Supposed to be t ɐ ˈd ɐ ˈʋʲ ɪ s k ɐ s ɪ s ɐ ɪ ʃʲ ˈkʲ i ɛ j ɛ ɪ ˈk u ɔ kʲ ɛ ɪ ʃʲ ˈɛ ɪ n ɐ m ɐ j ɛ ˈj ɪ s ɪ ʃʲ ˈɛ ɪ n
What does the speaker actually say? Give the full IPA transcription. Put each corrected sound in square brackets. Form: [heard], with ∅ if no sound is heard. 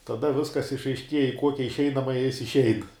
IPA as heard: t ɐ ˈd ɐ ˈʋʲ ɪ s k ɐ s ɪ [ʃ] ɐ ɪ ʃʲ ˈkʲ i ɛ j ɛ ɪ ˈk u ɔ kʲ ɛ ɪ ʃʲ ˈɛ ɪ n ɐ m ɐ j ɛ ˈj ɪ s ɪ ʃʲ ˈɛ ɪ n